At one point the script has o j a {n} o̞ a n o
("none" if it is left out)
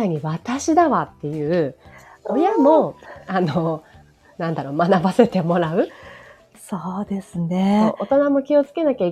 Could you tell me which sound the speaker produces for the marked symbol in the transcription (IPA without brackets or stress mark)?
m